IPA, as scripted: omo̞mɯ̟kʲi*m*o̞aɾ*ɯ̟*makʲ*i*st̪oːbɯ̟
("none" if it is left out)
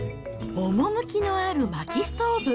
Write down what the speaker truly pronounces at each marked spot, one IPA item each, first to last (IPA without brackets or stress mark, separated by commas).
n, ɯ̟, i